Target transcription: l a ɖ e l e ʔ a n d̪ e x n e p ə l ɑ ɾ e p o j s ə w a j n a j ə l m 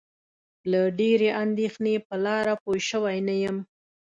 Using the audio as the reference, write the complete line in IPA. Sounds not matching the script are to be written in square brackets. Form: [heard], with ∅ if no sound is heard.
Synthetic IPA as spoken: l a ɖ e [ɾ] e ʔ a n d̪ e x n e p ə l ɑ ɾ [a] p o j [ʃ] ə w a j n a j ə [∅] m